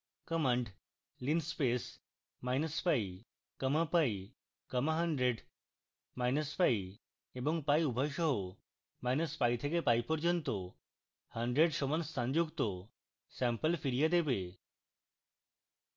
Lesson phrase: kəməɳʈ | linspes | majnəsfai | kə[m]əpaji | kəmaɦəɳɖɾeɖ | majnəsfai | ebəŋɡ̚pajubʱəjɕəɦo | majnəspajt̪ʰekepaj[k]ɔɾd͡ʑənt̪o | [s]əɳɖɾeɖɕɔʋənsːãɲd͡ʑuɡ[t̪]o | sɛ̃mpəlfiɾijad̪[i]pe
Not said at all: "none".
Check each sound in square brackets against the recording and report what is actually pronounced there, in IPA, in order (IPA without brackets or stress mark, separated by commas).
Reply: m, p, h, t̪, e